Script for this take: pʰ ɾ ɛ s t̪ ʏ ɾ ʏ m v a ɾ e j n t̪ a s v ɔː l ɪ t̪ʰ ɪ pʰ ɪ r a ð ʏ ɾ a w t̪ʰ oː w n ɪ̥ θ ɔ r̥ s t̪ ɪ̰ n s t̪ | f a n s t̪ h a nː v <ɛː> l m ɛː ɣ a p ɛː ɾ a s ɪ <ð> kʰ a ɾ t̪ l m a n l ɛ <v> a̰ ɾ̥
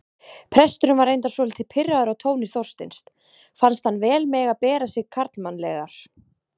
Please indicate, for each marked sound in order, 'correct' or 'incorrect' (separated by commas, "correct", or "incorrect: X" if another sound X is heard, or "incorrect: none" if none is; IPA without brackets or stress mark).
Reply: correct, incorrect: ɣ, incorrect: ɣ